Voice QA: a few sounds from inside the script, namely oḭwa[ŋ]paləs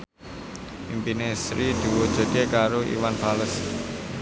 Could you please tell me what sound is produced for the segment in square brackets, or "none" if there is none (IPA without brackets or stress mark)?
n